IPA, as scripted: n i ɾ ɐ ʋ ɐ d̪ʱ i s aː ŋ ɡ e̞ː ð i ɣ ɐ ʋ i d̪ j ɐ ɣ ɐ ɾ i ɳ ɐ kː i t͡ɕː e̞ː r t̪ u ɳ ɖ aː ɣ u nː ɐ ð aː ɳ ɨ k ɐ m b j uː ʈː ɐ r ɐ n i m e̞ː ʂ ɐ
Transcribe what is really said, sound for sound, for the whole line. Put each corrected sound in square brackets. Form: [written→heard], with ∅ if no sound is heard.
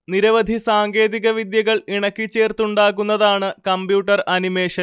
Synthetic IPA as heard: n i ɾ ɐ ʋ ɐ d̪ʱ i s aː ŋ ɡ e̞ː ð i ɣ ɐ ʋ i d̪ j ɐ ɣ ɐ [ɾ→ɭ] i ɳ ɐ kː i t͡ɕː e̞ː r t̪ u ɳ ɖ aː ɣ u nː ɐ ð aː ɳ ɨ k ɐ m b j uː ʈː ɐ r ɐ n i m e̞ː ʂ ɐ